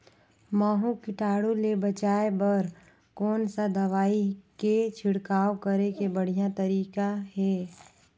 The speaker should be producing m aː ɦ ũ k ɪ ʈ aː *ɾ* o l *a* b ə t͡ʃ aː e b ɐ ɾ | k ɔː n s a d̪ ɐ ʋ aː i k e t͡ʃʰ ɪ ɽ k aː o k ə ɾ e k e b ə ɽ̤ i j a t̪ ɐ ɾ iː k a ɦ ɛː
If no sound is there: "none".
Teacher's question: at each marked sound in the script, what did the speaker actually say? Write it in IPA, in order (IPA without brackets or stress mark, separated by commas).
ɽ, e